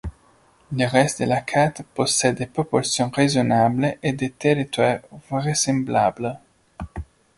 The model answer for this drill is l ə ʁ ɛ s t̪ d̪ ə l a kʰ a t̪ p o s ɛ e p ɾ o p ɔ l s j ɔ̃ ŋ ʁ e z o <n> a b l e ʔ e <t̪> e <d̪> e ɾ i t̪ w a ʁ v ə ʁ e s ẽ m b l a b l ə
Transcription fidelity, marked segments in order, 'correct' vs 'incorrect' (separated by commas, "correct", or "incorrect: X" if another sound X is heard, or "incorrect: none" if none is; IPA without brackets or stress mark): correct, incorrect: d̪, incorrect: t̪